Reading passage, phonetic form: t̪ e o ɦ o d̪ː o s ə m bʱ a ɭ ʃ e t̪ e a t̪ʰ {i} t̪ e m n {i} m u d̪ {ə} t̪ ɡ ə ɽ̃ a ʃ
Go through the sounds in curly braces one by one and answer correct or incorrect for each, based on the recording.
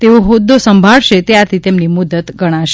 correct, correct, correct

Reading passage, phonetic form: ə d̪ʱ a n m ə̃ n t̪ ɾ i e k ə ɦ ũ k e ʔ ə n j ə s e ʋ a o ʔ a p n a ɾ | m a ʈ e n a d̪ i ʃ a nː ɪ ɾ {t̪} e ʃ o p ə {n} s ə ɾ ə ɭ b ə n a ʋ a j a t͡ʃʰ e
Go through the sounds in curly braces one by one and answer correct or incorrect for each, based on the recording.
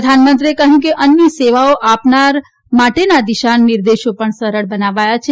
incorrect, incorrect

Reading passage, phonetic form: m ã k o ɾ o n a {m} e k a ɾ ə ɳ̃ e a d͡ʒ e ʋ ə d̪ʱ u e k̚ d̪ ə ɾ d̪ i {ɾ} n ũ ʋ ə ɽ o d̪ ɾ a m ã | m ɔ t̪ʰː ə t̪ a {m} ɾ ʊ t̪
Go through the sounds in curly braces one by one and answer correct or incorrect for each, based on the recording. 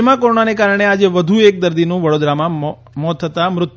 incorrect, incorrect, correct

